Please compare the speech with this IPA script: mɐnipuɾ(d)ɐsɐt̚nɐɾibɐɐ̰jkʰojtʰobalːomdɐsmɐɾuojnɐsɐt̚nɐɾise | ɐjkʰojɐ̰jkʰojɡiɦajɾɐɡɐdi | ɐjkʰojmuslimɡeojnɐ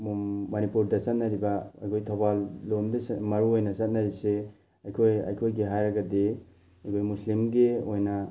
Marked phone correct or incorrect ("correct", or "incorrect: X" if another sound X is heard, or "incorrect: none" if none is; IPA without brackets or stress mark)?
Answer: correct